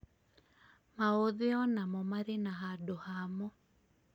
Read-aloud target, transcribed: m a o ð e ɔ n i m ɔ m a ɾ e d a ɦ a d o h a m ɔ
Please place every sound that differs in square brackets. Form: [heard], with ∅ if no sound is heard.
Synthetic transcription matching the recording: m a o ð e ɔ n [a] m ɔ m a ɾ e [n] a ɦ a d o h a m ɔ